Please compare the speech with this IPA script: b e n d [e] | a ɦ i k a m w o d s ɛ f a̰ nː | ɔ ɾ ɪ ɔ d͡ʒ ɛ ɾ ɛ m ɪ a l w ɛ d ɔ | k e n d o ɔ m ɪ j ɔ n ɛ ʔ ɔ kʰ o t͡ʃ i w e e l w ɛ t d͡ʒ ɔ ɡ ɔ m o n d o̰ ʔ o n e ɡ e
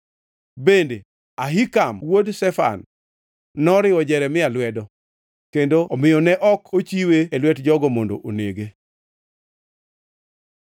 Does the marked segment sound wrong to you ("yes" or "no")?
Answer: no